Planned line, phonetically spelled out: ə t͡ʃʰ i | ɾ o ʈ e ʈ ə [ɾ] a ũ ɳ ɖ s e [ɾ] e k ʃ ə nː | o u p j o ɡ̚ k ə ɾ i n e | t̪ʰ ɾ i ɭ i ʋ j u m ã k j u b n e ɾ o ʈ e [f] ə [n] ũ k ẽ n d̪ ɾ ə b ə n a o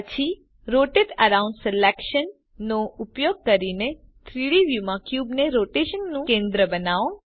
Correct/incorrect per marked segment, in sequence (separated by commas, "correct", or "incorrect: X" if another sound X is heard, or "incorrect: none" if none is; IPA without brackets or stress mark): correct, incorrect: l, incorrect: ʃ, incorrect: nː